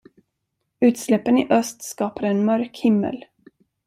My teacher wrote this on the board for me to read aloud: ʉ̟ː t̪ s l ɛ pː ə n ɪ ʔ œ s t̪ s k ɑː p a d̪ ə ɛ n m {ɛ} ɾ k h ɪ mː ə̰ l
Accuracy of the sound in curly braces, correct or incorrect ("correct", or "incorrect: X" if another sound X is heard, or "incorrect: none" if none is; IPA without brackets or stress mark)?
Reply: incorrect: œ